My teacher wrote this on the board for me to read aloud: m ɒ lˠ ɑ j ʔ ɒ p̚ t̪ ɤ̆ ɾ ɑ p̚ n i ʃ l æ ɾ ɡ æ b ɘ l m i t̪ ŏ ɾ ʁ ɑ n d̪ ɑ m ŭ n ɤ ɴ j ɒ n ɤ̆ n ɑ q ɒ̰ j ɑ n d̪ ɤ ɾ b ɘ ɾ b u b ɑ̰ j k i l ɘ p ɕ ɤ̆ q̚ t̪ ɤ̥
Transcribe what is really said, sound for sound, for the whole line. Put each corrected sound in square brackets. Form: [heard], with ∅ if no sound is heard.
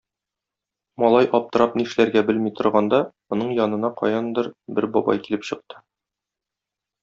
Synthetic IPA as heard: m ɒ lˠ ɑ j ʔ ɒ p̚ t̪ ɤ̆ ɾ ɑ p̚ n i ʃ l æ ɾ ɡ æ b ɘ l m i t̪ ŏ ɾ ʁ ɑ n d̪ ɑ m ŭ n ɤ ɴ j ɒ n ɤ̆ n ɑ q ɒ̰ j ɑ n d̪ ɤ ɾ b ɘ ɾ b [ɒ] b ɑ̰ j k i l ɘ p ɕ ɤ̆ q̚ t̪ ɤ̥